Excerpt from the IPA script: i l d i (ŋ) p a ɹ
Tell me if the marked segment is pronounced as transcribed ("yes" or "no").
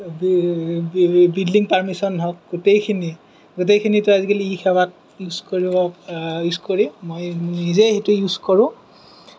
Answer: yes